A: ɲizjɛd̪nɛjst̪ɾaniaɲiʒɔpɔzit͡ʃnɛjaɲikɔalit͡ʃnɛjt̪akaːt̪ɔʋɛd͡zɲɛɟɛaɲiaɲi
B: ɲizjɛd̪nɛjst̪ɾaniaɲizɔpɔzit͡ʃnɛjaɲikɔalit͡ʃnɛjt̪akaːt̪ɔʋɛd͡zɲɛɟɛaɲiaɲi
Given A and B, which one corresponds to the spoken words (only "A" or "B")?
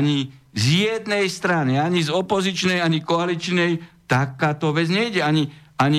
B